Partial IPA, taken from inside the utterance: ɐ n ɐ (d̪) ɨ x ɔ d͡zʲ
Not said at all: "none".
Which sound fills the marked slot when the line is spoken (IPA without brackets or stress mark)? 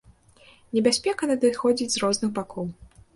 d̪